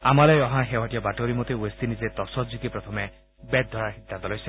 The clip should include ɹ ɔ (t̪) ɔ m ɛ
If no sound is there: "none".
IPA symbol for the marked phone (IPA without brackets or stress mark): t̪ʰ